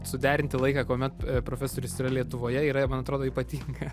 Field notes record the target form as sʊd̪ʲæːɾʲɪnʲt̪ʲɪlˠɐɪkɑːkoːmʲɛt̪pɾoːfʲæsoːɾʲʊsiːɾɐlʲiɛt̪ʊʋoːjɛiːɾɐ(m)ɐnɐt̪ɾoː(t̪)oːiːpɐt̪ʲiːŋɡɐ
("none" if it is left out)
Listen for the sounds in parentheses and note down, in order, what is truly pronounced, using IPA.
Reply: m, d̪

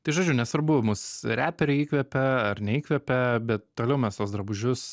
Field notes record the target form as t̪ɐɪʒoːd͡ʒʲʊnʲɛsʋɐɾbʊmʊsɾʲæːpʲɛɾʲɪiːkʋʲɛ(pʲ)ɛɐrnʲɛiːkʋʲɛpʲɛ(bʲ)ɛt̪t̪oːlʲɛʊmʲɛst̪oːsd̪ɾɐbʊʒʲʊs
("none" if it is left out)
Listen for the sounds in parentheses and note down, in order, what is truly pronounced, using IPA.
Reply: pʲ, bʲ

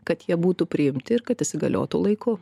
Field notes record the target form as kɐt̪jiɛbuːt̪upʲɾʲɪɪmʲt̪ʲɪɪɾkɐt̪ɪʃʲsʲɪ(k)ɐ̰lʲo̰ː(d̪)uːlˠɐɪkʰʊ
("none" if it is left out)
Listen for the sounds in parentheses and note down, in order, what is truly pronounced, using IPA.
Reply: ɡ, t̪

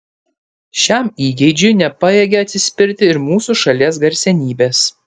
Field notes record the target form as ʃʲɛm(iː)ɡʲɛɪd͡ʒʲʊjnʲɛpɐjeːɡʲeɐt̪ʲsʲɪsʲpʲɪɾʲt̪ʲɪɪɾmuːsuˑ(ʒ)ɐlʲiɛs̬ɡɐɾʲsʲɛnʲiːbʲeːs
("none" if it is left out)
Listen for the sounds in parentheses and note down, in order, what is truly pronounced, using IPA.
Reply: iː, ʃ

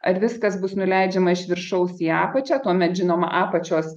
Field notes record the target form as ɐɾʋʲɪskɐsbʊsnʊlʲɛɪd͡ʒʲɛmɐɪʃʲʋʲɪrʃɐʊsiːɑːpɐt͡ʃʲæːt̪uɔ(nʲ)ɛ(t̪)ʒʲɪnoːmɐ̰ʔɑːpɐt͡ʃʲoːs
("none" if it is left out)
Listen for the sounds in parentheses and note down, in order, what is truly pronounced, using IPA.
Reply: mʲ, t̪

